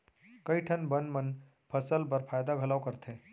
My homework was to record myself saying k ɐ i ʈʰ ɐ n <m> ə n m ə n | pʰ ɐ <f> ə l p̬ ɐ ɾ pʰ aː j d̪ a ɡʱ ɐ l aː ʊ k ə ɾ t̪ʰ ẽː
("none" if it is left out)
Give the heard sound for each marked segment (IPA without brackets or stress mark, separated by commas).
b, s